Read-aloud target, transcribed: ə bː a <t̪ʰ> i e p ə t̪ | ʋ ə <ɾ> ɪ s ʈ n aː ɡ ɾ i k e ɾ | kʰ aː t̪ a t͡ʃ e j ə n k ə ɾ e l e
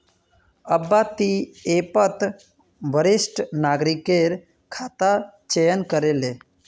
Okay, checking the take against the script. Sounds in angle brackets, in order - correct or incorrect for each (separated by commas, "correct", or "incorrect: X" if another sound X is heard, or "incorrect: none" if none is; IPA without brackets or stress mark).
incorrect: t̪, correct